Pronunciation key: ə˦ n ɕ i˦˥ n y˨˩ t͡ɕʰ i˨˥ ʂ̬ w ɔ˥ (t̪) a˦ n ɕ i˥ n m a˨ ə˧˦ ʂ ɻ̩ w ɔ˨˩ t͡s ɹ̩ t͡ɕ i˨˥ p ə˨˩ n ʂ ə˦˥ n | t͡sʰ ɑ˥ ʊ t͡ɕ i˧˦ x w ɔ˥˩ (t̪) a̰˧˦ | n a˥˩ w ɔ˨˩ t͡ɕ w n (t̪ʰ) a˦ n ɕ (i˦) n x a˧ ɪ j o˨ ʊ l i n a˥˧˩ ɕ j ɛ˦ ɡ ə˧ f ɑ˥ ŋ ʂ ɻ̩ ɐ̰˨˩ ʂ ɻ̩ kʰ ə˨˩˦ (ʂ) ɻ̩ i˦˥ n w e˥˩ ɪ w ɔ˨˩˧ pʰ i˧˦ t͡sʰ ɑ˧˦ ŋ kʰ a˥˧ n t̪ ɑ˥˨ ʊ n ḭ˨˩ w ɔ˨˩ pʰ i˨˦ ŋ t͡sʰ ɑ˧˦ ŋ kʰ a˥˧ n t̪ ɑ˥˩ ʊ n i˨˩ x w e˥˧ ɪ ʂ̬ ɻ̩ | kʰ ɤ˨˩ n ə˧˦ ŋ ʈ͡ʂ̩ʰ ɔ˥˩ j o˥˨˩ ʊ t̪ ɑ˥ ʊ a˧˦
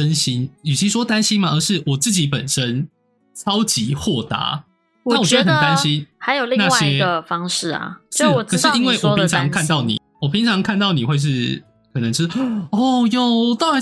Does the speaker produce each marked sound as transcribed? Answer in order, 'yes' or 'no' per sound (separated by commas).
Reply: yes, yes, no, yes, yes